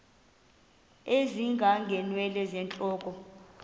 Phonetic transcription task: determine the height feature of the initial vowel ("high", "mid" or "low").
mid